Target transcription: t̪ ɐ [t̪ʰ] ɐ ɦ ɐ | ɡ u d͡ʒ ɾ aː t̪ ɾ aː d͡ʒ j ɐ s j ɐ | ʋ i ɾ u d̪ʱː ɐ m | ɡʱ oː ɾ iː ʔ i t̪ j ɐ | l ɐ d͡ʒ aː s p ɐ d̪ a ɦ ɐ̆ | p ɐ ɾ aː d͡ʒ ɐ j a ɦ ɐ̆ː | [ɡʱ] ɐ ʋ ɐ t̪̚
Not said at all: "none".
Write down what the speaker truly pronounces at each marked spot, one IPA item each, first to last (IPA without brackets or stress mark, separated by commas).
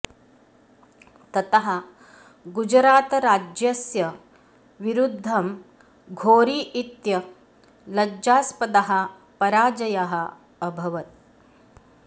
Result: t̪, bʱ